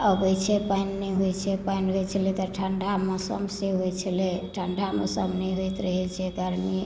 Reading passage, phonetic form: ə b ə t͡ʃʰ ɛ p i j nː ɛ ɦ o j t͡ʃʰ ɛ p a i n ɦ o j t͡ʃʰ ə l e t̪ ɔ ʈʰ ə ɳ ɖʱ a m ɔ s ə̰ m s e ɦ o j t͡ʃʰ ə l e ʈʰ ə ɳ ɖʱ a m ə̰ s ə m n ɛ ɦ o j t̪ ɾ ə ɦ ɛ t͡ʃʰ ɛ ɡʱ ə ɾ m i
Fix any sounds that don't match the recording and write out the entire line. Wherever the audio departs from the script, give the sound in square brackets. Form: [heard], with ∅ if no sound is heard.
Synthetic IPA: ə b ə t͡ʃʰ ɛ p [a] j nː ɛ ɦ o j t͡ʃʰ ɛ p a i n ɦ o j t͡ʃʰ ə l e t̪ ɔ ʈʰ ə ɳ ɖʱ a m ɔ s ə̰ m s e ɦ o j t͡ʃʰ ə l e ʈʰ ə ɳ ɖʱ a m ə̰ s ə m n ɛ ɦ o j t̪ ɾ ə ɦ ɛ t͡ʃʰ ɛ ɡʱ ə ɾ m i